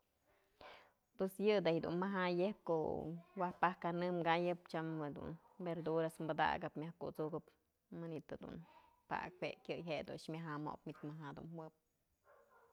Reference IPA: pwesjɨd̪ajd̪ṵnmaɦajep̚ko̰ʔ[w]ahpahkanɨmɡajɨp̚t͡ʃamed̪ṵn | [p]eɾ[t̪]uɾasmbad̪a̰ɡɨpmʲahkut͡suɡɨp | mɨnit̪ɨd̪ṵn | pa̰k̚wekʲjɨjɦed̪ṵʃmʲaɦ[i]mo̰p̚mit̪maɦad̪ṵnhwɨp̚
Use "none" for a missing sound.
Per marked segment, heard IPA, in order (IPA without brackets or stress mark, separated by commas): w, b, d̪, a